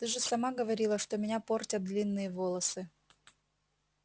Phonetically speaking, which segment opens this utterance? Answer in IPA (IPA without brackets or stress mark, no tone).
t̪